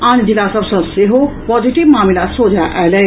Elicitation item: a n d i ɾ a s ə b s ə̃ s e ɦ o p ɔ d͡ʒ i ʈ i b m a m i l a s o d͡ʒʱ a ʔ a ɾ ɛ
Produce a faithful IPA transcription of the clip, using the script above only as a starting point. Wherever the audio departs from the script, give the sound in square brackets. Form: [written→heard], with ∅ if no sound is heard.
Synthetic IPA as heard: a n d i [ɾ→l] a s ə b s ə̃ s e ɦ o p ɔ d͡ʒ i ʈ i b m a m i l a s o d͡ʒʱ a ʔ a [ɾ→l] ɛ

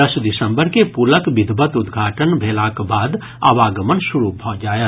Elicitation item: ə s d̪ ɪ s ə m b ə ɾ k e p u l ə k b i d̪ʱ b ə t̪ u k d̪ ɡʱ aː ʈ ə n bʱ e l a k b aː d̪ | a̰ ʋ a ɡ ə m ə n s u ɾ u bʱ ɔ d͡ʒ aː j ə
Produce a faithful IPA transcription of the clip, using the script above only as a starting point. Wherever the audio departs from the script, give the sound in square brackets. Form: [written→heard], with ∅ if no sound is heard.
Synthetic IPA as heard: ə s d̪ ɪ s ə m b ə ɾ k e p u l ə k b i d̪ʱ b ə t̪ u [k→∅] d̪ ɡʱ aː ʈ ə n bʱ e l a k b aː d̪ | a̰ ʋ a ɡ ə m ə n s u ɾ u bʱ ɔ d͡ʒ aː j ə

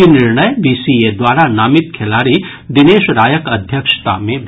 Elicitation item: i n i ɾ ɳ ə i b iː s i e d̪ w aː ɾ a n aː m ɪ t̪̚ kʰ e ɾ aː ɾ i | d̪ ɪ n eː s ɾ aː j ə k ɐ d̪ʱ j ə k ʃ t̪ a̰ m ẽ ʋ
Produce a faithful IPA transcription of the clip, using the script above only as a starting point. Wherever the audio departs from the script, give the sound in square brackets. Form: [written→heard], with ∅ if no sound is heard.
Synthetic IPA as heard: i n [i→ɪ] ɾ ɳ ə [i→j] b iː s i e d̪ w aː ɾ a n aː m ɪ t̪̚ kʰ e [ɾ→l] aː ɾ i | d̪ ɪ n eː [s→ʃ] ɾ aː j ə k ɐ d̪ʱ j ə k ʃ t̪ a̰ m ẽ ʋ

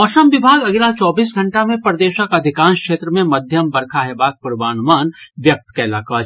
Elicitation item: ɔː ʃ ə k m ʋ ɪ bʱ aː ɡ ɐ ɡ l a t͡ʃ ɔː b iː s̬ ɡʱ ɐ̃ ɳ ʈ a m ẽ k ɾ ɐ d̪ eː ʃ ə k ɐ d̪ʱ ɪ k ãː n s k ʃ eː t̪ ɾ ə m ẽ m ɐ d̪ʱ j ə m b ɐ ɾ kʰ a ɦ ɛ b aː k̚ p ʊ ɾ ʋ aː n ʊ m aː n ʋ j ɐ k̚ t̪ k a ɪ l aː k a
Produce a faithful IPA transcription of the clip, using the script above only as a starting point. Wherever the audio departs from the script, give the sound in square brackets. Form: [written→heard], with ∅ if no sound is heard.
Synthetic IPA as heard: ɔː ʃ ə [k→∅] m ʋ ɪ bʱ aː ɡ ɐ ɡ l a t͡ʃ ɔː b iː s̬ ɡʱ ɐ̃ ɳ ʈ a m ẽ [k→p] ɾ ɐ d̪ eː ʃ ə k ɐ d̪ʱ ɪ k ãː n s k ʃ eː t̪ ɾ ə m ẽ m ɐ d̪ʱ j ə m b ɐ ɾ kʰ a ɦ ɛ b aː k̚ p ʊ ɾ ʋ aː n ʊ m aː n ʋ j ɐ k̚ t̪ k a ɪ l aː k a

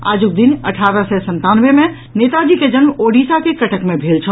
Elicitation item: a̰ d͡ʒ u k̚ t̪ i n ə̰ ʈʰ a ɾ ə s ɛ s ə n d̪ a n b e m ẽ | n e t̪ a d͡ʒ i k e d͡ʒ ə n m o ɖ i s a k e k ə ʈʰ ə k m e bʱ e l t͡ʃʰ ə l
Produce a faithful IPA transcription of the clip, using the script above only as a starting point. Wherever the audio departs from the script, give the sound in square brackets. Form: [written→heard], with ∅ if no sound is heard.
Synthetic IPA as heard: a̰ d͡ʒ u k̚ [t̪→d̪] i n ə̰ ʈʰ a ɾ ə s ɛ s ə n [d̪→t̪] a n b e m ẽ | n e t̪ a d͡ʒ i k e d͡ʒ ə n m o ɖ i s a k e k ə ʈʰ ə k m e bʱ e l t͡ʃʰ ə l

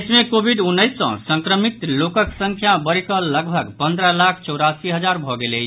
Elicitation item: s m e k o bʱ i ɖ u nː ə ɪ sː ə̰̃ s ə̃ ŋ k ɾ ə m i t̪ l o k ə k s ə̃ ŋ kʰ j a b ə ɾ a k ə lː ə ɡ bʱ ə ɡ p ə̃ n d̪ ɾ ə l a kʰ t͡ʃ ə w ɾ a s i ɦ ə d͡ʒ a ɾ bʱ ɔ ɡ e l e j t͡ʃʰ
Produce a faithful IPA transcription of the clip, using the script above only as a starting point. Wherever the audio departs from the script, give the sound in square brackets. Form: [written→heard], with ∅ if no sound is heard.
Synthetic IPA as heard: s m e k o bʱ i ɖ u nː ə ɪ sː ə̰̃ s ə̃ ŋ k ɾ ə m i t̪ l o k ə k s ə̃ ŋ kʰ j a b ə ɾ [a→i] k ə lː ə ɡ bʱ ə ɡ p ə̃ n d̪ ɾ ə l a kʰ t͡ʃ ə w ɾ a s i ɦ ə d͡ʒ a ɾ bʱ ɔ ɡ e l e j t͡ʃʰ

